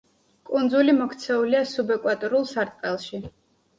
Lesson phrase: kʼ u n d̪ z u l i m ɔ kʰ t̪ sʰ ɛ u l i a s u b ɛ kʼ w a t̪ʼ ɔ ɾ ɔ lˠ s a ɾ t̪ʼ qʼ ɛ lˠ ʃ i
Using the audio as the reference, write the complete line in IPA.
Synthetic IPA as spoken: kʼ u n d̪ z u l i m ɔ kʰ t̪ sʰ ɛ u l i a s u b ɛ kʼ w a t̪ʼ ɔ ɾ u lˠ s a ɾ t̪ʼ qʼ ɛ lˠ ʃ i